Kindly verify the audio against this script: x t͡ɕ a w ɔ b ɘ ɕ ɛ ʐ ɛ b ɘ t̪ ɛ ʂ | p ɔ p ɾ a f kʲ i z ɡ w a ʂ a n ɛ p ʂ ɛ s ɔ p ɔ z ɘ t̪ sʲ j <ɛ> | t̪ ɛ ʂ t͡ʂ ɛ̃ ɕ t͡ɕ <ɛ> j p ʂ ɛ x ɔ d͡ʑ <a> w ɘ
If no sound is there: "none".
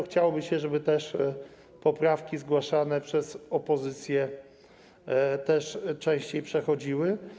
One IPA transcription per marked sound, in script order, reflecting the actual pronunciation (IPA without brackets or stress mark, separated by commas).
ɛ, e, i